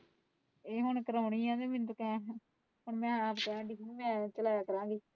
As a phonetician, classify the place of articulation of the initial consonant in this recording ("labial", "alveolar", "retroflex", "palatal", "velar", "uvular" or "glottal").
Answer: glottal